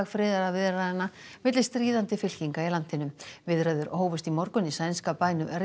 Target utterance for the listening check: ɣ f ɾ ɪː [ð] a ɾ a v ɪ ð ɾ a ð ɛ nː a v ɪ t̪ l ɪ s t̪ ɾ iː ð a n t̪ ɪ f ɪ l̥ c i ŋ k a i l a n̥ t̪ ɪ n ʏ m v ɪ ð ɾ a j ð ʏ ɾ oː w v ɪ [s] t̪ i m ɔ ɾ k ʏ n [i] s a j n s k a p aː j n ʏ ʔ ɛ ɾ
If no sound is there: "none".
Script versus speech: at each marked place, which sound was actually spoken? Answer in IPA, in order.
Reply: ð, s, i

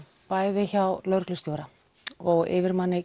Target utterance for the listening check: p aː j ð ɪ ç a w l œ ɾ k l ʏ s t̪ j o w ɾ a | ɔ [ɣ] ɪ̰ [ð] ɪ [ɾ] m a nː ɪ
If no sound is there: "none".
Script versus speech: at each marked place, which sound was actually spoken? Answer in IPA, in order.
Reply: ɣ, v, ɾ

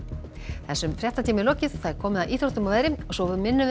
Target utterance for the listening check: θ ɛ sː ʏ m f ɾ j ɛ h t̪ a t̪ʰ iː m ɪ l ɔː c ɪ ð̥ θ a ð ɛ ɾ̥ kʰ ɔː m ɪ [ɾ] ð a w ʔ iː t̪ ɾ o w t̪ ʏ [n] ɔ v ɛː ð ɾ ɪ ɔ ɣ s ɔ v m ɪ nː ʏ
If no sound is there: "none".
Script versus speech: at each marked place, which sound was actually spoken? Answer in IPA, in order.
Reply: none, m

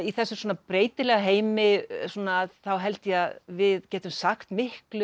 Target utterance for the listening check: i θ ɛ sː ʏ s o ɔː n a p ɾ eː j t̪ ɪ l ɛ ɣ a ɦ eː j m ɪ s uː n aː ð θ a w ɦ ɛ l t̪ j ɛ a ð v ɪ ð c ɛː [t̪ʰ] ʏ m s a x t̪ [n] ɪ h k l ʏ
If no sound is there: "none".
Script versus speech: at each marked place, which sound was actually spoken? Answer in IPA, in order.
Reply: t̪, m

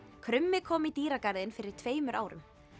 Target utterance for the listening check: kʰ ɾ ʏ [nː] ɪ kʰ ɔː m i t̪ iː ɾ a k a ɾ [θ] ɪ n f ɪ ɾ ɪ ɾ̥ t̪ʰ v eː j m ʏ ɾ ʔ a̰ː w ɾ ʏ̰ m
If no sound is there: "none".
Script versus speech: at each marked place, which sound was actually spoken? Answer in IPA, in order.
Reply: mː, ð

